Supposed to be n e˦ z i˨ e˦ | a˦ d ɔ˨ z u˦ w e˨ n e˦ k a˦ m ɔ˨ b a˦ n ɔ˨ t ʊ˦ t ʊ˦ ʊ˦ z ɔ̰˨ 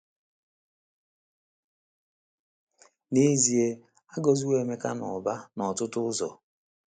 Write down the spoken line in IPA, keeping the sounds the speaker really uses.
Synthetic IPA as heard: n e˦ z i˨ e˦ | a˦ ɡ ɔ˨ z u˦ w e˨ m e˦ k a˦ n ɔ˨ b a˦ n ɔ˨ t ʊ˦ t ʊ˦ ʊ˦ z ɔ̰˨